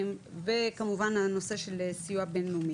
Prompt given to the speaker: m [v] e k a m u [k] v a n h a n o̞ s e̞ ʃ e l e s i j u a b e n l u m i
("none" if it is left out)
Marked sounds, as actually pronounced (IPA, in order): v, none

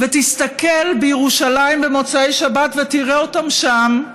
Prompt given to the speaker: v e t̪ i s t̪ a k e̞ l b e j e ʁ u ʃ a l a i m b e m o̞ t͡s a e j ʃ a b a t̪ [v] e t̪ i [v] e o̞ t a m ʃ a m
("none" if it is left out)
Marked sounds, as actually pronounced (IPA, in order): v, ʁ

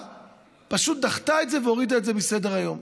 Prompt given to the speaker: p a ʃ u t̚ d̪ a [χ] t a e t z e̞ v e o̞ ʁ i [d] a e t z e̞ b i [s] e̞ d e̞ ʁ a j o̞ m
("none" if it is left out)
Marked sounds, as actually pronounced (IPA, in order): χ, d, s

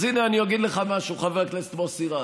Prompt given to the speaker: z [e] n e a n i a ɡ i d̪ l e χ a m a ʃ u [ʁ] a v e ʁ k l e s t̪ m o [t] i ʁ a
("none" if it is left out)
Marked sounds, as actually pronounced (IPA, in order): i, χ, s

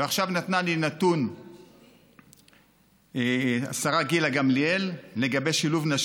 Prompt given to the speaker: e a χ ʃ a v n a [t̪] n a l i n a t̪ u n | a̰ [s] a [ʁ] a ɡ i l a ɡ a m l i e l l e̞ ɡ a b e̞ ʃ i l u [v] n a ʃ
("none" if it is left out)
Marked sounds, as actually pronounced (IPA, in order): t̪, s, ʁ, v

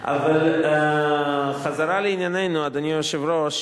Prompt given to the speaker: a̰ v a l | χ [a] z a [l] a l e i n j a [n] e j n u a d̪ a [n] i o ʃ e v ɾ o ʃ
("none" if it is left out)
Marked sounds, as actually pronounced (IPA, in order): a, ɾ, n, n

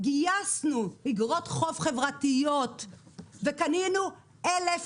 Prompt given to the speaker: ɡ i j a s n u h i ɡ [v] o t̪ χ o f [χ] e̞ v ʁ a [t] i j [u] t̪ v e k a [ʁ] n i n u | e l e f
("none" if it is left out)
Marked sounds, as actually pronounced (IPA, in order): ʁ, χ, t, o, none

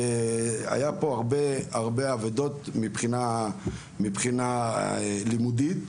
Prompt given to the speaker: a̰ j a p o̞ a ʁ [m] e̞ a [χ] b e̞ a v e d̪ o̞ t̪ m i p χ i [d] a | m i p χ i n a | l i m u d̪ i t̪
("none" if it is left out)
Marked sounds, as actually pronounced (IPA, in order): b, ʁ, n

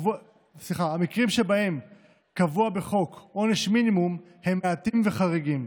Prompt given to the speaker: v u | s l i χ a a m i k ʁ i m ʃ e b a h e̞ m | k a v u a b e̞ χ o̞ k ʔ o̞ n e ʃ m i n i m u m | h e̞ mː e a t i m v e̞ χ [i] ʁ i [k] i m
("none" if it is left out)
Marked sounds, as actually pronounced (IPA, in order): a, ɡ

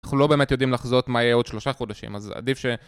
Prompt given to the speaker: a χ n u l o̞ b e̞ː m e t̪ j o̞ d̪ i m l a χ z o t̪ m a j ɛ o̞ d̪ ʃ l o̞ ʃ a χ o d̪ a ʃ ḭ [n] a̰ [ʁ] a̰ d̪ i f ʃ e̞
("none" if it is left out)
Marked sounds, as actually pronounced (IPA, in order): m, z

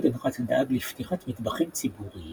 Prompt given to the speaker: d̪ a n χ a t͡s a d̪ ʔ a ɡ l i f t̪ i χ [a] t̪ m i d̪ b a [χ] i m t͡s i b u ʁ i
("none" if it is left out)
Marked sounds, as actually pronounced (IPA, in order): a, χ

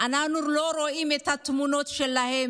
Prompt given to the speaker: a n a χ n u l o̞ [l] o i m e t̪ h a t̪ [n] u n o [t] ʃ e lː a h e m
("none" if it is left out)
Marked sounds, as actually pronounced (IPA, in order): ɾ, m, t

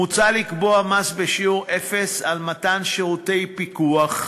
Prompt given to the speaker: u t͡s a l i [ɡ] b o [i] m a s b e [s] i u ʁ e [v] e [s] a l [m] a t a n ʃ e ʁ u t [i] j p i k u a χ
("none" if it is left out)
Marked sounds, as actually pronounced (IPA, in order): k, a, ʃ, f, s, m, e

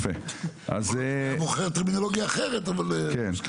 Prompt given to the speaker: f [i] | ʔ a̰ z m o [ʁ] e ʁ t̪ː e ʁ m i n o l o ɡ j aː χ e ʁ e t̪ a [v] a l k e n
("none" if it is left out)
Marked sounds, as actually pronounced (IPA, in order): e, χ, v

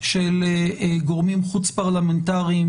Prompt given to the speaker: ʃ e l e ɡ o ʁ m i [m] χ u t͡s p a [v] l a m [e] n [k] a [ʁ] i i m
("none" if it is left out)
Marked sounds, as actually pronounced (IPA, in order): m, ʁ, e, t, ʁ

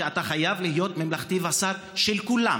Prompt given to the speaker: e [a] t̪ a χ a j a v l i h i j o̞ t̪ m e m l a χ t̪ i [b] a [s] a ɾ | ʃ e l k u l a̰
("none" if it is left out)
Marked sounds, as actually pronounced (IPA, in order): a, v, s

